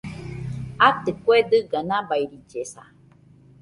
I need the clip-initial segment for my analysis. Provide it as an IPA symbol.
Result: a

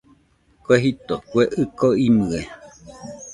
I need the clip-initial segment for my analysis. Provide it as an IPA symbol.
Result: k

